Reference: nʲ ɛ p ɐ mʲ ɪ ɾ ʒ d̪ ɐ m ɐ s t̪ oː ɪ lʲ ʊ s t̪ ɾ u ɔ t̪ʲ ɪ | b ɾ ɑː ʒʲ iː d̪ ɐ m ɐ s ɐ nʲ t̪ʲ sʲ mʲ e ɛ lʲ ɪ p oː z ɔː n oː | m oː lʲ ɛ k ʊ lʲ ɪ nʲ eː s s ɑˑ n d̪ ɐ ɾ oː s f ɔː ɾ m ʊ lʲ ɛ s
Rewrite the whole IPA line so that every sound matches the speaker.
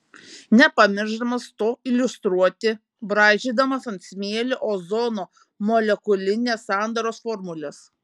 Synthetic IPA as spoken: nʲ ɛ p ɐ mʲ ɪ ɾ ʒ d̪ ɐ m ɐ s t̪ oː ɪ lʲ ʊ s t̪ ɾ u ɔ t̪ʲ ɪ | b ɾ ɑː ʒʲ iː d̪ ɐ m ɐ s ɐ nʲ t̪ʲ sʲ mʲ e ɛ lʲ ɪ ʔ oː z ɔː n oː | m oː lʲ ɛ k ʊ lʲ ɪ nʲ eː s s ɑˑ n d̪ ɐ ɾ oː s f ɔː ɾ m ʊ lʲ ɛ s